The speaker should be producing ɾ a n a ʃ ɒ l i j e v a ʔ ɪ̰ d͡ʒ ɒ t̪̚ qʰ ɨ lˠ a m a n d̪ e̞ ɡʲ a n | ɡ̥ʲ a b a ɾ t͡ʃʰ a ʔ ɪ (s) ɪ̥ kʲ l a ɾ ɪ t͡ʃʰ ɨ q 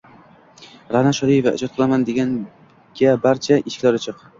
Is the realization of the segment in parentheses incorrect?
yes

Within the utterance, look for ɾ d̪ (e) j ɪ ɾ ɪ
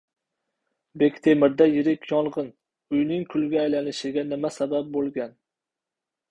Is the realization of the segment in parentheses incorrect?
yes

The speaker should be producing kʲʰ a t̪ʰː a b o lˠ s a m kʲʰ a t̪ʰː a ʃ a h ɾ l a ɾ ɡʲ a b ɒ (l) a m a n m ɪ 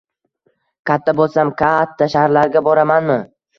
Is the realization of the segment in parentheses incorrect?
yes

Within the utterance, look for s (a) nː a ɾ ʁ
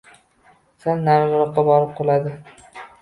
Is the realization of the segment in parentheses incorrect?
no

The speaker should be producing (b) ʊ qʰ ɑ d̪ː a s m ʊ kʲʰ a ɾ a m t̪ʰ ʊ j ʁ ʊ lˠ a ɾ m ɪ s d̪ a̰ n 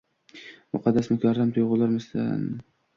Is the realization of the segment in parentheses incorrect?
yes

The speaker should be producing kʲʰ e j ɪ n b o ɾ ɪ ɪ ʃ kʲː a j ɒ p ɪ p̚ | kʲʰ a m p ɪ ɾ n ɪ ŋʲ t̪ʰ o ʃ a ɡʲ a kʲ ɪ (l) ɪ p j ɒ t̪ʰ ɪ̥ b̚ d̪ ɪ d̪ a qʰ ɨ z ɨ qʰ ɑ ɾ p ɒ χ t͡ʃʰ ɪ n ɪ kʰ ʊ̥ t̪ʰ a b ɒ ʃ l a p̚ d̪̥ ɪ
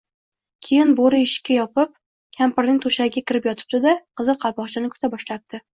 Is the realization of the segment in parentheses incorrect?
yes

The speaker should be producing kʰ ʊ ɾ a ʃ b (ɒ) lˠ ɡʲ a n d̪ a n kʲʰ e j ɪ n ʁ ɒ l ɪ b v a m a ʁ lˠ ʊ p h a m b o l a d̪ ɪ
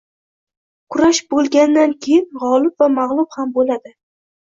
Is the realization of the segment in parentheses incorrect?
yes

